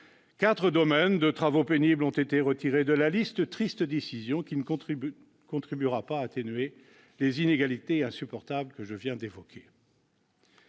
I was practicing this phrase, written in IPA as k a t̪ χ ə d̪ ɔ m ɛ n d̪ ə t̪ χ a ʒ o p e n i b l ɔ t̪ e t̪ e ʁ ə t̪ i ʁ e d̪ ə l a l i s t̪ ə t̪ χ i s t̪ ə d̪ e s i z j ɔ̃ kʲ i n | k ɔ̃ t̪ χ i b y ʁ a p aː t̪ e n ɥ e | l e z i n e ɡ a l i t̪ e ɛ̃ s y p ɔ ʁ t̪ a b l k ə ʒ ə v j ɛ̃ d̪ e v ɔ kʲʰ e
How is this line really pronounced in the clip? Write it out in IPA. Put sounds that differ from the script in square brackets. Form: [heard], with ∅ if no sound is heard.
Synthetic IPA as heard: k a t̪ χ ə d̪ ɔ m ɛ n d̪ ə t̪ χ a [v] o p e n i b l [ɔ̃] t̪ e t̪ e ʁ ə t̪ i ʁ e d̪ ə l a l i s t̪ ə t̪ χ i s t̪ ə d̪ e s i z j ɔ̃ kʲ i n | k ɔ̃ t̪ χ i b y ʁ a p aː t̪ e n ɥ e | l e z i n e ɡ a l i t̪ e ɛ̃ s y p ɔ ʁ t̪ a b l k ə ʒ ə v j ɛ̃ d̪ e v ɔ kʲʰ e